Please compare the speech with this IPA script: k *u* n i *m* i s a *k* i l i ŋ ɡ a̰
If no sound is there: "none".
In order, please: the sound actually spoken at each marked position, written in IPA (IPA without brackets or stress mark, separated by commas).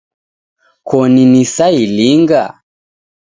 ɔ, n, none